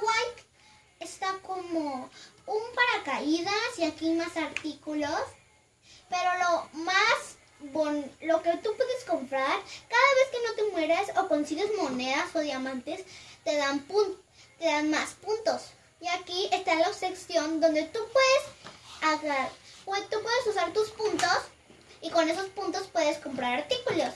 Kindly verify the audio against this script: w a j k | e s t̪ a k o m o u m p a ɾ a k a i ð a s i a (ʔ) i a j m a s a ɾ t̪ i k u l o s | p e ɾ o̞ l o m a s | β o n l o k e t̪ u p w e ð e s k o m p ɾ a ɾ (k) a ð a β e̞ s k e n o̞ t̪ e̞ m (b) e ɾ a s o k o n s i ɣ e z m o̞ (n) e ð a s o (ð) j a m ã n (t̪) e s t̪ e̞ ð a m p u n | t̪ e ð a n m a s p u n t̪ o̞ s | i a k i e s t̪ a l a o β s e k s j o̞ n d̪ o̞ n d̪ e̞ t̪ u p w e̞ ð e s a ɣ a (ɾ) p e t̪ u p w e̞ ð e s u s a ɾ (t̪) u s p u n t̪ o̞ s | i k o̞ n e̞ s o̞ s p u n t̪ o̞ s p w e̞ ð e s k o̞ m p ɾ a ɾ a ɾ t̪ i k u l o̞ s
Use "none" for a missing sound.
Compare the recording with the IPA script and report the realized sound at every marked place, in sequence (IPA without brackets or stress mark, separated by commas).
k, k, w, n, ð, t̪, ɾ, t̪